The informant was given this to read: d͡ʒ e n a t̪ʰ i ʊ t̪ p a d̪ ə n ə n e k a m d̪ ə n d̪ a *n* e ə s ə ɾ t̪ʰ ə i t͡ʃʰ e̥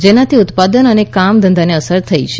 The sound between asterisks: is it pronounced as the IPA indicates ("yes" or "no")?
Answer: yes